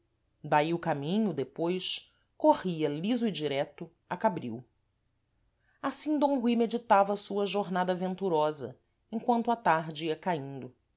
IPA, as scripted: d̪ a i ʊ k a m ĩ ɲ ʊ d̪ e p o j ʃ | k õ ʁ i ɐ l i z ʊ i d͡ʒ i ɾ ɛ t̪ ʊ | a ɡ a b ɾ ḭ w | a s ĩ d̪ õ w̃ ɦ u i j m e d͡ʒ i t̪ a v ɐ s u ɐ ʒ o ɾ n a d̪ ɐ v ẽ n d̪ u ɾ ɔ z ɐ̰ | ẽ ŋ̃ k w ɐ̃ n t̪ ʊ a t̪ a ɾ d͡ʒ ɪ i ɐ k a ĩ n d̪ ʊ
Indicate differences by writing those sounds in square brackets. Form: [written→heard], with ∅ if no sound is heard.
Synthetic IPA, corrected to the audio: d̪ a i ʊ k a m ĩ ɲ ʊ d̪ e p o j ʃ | k [õ→o] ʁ i ɐ l i z ʊ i d͡ʒ i ɾ ɛ t̪ ʊ | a [ɡ→k] a b ɾ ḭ w | a s ĩ d̪ õ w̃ ɦ u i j m e d͡ʒ i t̪ a v ɐ s u ɐ ʒ o ɾ n a d̪ ɐ v ẽ n [d̪→t̪] u ɾ ɔ z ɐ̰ | ẽ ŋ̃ k w ɐ̃ n t̪ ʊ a t̪ a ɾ d͡ʒ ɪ i ɐ k a ĩ n d̪ ʊ